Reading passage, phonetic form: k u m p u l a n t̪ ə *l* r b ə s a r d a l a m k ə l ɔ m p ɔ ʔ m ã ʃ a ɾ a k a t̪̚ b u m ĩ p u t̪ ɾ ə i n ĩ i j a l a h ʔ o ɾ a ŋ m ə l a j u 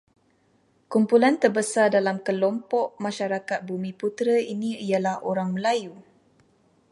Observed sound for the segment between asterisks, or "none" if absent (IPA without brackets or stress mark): none